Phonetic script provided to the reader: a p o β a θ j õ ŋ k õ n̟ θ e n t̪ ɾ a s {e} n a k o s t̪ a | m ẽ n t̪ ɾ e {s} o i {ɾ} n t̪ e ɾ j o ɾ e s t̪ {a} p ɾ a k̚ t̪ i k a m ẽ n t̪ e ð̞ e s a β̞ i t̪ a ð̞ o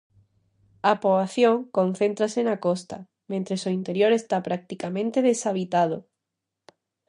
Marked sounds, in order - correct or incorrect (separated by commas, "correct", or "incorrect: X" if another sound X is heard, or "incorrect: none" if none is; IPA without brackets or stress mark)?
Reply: correct, correct, incorrect: none, correct